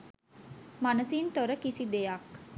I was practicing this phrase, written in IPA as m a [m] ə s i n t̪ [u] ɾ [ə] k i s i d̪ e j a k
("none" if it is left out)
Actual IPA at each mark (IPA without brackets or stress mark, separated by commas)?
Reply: n, o, ə